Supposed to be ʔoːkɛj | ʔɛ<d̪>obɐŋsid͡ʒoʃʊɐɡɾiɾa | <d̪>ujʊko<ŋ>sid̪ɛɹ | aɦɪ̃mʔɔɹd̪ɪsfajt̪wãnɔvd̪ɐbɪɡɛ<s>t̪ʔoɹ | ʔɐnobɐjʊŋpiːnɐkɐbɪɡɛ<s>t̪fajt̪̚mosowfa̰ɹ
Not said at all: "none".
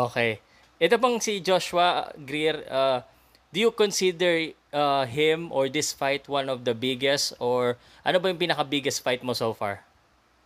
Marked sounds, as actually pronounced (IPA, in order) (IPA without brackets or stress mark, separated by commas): t̪, d̪, n, s, s